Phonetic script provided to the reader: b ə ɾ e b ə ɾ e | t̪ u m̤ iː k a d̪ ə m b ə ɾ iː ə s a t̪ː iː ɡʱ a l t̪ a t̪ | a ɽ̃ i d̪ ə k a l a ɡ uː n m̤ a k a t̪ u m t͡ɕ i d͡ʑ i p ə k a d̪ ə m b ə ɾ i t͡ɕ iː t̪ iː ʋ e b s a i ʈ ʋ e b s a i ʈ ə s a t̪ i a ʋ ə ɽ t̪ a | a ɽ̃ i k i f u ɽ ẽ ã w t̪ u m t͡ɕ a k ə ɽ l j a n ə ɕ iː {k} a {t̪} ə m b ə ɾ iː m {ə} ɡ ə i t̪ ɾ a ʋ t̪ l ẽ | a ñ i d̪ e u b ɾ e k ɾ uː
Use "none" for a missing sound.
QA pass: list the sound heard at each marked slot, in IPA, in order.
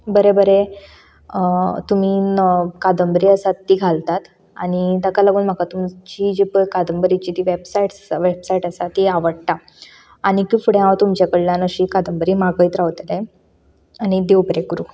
k, d̪, a

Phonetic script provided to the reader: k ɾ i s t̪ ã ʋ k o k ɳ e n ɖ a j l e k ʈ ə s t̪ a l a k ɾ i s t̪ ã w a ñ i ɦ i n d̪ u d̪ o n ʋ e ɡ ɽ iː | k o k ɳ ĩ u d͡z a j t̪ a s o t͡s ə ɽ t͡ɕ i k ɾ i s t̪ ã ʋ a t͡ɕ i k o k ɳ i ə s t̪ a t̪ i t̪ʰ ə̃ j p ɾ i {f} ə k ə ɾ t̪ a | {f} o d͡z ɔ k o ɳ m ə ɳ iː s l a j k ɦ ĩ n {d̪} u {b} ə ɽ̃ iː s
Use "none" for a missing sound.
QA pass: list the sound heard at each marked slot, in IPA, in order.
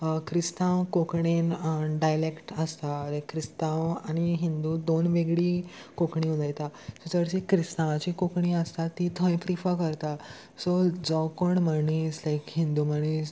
f, s, d̪, m

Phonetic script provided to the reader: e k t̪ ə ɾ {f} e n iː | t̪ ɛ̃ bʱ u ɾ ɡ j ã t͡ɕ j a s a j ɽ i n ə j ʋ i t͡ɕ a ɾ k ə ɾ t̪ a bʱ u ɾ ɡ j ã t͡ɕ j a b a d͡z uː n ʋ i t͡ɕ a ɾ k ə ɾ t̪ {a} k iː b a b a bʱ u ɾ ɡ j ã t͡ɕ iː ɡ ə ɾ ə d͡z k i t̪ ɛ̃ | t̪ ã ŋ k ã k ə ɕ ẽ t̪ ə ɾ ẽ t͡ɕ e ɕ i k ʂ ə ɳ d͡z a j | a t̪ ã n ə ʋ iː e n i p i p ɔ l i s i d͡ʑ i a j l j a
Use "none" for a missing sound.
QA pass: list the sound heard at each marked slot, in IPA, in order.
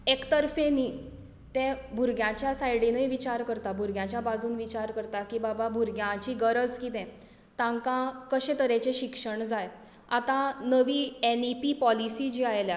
f, a

